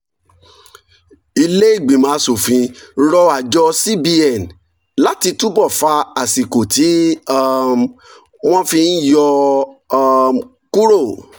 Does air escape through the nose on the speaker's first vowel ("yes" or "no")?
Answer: no